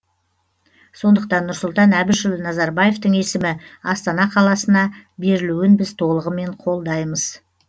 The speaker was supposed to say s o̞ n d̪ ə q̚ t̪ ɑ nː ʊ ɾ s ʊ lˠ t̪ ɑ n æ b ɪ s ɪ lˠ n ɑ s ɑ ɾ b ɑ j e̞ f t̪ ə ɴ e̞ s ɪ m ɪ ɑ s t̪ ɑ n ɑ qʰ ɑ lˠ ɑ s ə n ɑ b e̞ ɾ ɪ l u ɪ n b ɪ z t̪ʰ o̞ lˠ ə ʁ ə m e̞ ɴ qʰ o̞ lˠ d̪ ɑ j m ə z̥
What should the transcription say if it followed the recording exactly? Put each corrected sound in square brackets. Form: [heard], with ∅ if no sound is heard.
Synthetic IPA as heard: s o̞ n d̪ ə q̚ t̪ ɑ nː ʊ ɾ s ʊ lˠ t̪ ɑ n æ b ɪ [ʃ] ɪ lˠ n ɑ [z] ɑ ɾ b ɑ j e̞ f t̪ ə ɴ e̞ s ɪ m ɪ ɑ s t̪ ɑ n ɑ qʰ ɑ lˠ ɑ s ə n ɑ b e̞ ɾ ɪ l u ɪ n b ɪ z t̪ʰ o̞ lˠ ə ʁ ə m e̞ ɴ qʰ o̞ lˠ d̪ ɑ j m ə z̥